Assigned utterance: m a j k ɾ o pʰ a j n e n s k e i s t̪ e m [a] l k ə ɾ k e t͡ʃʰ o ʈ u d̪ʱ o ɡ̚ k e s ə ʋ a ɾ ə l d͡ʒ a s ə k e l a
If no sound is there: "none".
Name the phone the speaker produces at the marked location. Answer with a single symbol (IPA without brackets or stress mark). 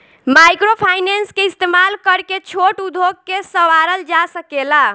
a